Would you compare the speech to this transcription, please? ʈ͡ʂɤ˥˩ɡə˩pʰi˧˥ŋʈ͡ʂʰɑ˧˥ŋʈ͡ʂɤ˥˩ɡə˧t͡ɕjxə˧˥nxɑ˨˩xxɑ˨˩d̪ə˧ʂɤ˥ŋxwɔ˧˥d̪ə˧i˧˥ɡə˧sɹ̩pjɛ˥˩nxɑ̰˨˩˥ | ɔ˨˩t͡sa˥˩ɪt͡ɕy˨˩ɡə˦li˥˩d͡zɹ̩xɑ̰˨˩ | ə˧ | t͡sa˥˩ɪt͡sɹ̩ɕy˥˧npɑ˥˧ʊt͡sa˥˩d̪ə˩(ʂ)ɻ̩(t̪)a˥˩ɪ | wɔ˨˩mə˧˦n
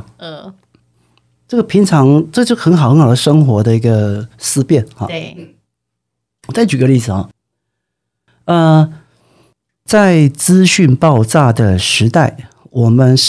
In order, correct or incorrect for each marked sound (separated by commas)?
correct, correct